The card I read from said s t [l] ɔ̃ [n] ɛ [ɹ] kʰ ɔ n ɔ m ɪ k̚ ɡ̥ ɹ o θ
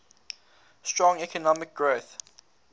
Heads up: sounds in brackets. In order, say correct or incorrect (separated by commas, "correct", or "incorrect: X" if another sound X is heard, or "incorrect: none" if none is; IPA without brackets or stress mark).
incorrect: ɹ, incorrect: ŋ, incorrect: none